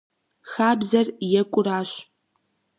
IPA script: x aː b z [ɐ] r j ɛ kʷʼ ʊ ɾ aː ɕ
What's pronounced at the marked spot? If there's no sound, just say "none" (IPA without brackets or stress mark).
ɐ